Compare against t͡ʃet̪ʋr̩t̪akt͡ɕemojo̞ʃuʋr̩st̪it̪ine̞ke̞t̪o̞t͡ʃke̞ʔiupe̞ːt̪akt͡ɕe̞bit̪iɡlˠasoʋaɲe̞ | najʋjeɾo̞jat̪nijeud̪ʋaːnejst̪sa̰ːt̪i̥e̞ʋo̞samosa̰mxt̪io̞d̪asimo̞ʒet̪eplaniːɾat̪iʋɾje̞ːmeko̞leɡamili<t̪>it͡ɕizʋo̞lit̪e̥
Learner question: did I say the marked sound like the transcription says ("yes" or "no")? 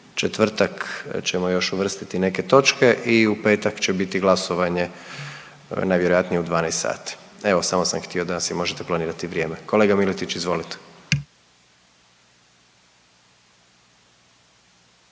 yes